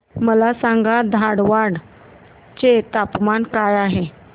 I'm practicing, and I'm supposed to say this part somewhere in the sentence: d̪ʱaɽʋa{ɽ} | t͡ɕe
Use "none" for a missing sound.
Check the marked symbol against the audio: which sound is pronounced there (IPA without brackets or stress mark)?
ɽ